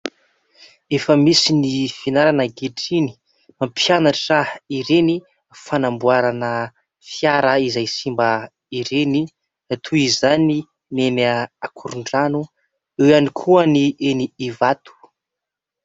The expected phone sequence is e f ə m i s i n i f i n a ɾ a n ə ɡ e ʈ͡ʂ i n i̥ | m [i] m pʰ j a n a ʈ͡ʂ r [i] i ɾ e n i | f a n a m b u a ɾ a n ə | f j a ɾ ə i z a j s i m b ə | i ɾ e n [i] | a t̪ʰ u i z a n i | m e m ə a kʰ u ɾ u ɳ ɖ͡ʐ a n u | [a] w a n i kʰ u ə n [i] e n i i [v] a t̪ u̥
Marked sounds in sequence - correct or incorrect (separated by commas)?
incorrect, incorrect, correct, incorrect, correct, correct